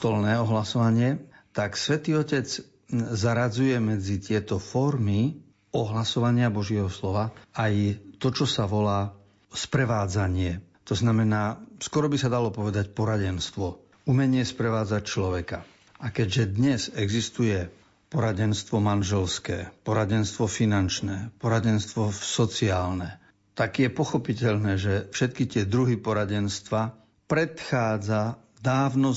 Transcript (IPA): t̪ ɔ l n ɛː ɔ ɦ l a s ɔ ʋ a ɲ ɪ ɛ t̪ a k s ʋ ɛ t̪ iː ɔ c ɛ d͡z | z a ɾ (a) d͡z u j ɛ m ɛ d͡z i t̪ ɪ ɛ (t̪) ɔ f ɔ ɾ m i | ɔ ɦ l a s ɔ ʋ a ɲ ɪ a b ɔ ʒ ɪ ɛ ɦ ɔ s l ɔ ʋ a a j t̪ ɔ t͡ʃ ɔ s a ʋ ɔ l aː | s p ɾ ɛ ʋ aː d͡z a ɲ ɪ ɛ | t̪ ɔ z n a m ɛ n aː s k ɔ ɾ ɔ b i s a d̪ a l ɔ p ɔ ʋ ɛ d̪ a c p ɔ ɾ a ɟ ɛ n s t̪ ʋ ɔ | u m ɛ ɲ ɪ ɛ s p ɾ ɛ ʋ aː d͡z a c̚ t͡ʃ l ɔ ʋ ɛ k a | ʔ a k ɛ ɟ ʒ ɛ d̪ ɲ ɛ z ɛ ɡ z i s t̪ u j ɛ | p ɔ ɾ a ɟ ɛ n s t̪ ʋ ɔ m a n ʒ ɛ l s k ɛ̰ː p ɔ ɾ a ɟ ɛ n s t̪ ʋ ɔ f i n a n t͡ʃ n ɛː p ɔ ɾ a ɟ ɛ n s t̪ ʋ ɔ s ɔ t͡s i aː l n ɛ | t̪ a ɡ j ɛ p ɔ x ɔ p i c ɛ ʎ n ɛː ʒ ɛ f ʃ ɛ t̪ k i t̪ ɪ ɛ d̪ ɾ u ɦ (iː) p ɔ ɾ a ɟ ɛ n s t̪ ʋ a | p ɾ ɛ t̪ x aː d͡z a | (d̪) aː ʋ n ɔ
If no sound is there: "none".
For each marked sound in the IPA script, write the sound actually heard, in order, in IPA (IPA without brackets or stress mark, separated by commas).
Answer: a, t̪, i, d̪